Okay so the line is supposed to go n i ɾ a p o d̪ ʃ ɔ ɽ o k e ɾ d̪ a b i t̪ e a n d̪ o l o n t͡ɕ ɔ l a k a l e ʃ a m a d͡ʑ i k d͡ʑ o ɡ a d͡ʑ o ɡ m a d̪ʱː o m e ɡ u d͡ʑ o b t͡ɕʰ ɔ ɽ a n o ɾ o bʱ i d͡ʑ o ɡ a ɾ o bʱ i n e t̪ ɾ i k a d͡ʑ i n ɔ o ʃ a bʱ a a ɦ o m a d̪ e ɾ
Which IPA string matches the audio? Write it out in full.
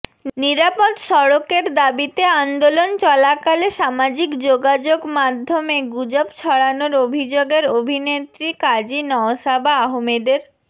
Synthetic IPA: n i ɾ a p o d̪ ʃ ɔ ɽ o k e ɾ d̪ a b i t̪ e a n d̪ o l o n t͡ɕ ɔ l a k a l e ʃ a m a d͡ʑ i k d͡ʑ o ɡ a d͡ʑ o ɡ m a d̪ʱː o m e ɡ u d͡ʑ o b t͡ɕʰ ɔ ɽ a n o ɾ o bʱ i d͡ʑ o ɡ e ɾ o bʱ i n e t̪ ɾ i k a d͡ʑ i n ɔ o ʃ a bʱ a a ɦ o m e d̪ e ɾ